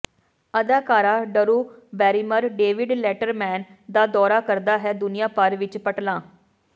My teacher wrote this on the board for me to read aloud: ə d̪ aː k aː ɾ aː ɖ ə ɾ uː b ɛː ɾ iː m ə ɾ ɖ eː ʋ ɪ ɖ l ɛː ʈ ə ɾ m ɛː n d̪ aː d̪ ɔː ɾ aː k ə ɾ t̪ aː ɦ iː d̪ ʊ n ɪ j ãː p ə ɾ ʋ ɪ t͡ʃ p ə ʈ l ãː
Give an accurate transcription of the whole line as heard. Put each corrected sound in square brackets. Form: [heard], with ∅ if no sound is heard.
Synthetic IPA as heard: ə d̪ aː k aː ɾ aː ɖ ə ɾ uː b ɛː ɾ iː m ə ɾ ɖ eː ʋ ɪ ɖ l ɛː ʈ ə ɾ m ɛː n d̪ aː d̪ ɔː ɾ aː k ə ɾ [d̪] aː ɦ [ɛː] d̪ ʊ n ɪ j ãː p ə ɾ ʋ ɪ t͡ʃ p ə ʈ l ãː